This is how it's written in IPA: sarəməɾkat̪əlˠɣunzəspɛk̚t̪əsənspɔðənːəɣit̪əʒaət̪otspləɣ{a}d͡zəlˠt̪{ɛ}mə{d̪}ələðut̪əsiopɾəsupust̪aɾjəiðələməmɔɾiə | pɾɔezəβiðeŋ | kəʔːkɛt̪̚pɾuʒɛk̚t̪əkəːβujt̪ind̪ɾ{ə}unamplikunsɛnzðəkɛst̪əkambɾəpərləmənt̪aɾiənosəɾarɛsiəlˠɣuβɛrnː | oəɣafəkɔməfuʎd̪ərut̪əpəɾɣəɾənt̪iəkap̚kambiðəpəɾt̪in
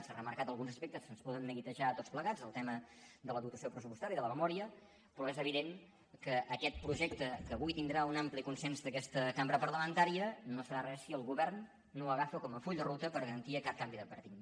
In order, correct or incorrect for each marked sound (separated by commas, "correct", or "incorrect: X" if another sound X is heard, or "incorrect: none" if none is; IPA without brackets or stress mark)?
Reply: correct, correct, correct, incorrect: a